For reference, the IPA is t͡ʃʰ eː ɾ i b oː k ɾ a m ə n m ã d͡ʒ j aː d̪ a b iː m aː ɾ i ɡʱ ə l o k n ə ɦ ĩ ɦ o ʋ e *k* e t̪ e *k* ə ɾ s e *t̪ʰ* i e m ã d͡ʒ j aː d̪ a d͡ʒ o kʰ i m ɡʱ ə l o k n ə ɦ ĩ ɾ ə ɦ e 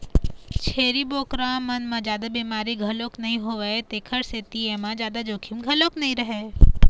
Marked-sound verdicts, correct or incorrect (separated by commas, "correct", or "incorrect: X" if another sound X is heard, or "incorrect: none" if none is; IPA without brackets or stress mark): incorrect: none, incorrect: kʰ, incorrect: t̪